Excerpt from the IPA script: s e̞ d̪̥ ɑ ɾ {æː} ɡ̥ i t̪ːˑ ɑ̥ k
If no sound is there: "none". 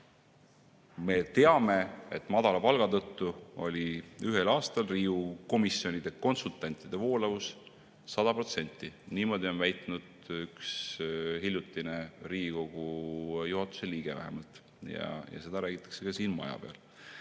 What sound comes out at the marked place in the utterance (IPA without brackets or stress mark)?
æː